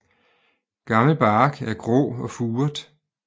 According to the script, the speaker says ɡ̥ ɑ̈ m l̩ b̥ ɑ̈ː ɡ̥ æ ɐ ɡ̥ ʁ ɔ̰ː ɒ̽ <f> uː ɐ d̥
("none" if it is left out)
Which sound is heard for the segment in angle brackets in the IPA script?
f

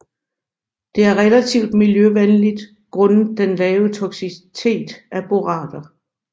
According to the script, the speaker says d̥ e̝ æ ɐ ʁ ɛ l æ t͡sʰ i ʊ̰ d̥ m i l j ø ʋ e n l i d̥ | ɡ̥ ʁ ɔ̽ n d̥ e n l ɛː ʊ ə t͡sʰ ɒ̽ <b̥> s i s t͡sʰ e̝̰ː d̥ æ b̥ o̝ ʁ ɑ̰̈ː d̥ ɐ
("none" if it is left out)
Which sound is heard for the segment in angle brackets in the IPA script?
ɡ̥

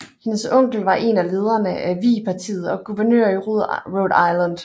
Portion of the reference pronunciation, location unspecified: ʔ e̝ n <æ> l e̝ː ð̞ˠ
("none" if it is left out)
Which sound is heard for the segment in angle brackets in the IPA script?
æ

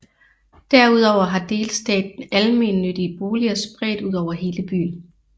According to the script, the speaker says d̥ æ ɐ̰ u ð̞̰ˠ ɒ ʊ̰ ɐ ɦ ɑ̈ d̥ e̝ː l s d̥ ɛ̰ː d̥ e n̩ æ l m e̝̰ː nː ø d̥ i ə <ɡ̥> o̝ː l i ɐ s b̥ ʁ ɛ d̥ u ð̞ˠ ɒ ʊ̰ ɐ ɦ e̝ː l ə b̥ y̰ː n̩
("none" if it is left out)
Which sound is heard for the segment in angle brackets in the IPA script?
b̥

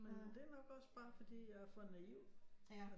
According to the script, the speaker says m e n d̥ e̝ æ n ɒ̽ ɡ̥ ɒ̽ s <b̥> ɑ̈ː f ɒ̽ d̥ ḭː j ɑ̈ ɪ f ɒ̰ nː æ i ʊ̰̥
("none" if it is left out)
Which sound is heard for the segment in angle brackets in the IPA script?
b̥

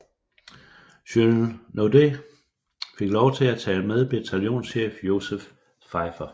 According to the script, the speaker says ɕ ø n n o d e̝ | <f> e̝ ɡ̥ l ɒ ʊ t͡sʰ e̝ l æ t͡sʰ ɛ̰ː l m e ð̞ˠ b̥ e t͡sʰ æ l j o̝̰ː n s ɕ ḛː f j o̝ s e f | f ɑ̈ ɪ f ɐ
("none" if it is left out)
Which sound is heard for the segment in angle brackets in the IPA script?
f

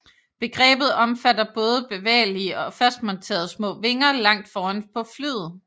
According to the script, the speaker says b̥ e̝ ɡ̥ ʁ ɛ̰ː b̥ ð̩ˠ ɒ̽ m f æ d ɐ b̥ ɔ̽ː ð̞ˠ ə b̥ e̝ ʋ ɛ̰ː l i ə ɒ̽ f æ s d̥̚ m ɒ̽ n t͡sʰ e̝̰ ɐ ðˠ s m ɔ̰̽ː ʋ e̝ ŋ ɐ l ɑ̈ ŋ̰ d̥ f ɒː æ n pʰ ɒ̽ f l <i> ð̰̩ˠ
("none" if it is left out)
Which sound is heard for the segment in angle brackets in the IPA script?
y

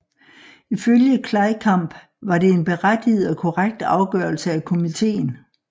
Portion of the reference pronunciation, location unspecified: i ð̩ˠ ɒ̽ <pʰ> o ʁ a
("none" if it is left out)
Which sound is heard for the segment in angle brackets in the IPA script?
kʰ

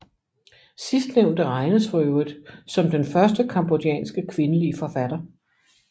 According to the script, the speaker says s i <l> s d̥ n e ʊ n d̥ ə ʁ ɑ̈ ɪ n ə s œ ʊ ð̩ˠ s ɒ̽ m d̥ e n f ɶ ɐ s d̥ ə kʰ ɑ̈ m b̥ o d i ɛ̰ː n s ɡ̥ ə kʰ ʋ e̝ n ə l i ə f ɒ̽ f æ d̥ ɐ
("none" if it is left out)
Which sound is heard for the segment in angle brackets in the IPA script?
none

